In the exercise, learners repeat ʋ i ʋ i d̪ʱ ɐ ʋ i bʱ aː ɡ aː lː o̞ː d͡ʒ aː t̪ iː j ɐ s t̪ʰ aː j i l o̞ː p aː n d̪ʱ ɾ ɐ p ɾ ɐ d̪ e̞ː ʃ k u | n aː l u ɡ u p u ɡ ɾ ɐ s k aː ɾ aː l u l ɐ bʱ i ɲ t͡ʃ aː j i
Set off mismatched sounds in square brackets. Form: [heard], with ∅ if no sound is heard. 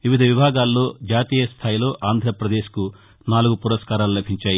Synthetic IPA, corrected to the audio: ʋ i ʋ i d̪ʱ ɐ ʋ i bʱ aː ɡ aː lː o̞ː d͡ʒ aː t̪ iː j ɐ s t̪ʰ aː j i l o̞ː [ʔ] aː n d̪ʱ ɾ ɐ p ɾ ɐ d̪ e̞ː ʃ k u | n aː l u ɡ u p u [∅] ɾ ɐ s k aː ɾ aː l u l ɐ bʱ i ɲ t͡ʃ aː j i